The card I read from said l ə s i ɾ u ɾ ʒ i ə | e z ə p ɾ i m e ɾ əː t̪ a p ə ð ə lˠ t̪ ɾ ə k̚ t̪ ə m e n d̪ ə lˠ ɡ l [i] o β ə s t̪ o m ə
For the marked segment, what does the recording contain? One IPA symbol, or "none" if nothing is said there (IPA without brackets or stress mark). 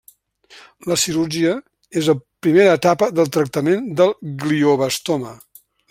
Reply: i